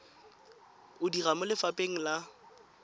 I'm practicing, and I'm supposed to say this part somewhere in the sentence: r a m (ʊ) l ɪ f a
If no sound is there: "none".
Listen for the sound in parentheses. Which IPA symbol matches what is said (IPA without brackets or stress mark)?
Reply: ʊ